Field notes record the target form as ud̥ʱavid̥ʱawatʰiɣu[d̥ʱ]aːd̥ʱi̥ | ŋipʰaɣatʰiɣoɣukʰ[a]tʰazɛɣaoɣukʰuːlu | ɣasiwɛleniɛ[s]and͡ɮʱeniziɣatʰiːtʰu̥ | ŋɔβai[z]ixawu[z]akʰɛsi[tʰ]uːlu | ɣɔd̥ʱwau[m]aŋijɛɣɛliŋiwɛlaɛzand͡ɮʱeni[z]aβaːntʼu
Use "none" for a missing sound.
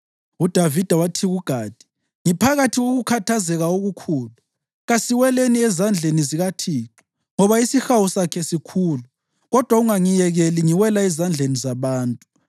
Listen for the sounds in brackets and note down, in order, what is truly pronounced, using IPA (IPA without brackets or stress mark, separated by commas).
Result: ɡ̥ʱ, a, z, s, s, kʰ, ŋ, z